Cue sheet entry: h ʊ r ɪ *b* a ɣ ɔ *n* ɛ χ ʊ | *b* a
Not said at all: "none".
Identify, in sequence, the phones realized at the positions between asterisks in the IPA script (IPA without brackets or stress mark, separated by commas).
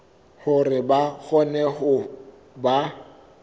b, n, b